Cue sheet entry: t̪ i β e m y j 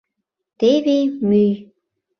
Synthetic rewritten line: t̪ e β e m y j